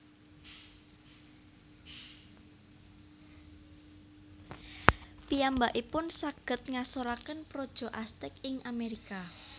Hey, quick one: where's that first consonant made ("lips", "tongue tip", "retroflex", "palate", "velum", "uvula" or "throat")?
lips